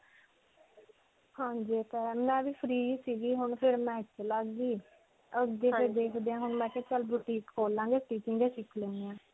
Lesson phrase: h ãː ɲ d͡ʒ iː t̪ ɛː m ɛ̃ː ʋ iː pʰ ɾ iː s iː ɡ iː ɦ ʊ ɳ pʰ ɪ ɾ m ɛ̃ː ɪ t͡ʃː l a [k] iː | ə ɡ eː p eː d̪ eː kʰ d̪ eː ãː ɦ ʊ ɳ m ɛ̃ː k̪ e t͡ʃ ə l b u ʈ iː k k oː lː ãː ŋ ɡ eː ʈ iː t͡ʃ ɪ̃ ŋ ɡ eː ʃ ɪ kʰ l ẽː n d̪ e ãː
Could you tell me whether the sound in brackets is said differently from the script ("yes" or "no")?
yes